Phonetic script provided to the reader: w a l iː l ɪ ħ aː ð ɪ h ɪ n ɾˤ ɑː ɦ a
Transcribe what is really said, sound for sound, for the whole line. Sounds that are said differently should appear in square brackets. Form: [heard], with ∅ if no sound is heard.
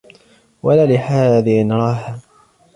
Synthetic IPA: w a l [aː] l ɪ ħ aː ð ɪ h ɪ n ɾˤ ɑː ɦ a